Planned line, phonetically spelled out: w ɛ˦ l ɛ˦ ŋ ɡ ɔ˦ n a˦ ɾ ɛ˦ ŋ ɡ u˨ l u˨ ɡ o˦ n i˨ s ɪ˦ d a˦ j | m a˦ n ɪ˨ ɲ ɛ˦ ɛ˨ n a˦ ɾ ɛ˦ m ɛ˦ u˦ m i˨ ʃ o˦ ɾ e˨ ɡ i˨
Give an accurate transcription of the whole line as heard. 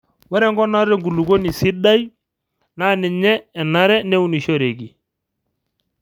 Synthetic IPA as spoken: w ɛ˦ ɾ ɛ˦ ŋ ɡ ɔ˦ n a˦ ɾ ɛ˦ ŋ ɡ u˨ l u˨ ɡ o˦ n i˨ s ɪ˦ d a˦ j | n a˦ n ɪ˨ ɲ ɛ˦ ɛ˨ n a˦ ɾ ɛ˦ n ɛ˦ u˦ n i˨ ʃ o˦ ɾ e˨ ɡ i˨